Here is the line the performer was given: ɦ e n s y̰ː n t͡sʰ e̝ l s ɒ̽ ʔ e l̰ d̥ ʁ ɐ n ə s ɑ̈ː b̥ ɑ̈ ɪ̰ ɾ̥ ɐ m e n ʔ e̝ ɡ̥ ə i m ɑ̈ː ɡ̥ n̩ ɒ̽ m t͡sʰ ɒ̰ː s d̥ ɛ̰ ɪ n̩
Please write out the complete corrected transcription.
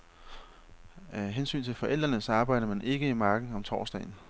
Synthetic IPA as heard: ɦ e n s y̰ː n t͡sʰ e̝ l f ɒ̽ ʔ e l̰ d̥ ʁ ɐ n ə s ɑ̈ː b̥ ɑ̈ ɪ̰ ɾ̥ ɐ m æ n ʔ e̝ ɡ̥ ə i m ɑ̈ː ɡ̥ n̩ ɒ̽ m t͡sʰ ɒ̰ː s d̥ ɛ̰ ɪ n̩